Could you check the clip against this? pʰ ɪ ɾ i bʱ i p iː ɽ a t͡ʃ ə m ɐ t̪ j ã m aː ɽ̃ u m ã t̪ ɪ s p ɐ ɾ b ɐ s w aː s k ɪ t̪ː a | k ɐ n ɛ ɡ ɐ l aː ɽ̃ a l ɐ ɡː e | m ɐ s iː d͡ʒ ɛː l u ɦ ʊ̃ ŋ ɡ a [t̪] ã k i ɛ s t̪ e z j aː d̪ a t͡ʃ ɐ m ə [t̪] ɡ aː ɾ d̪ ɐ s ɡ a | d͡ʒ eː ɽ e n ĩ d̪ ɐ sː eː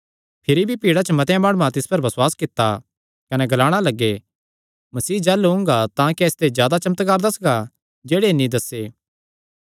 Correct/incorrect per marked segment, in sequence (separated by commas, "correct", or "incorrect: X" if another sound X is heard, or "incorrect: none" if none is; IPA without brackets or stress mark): correct, correct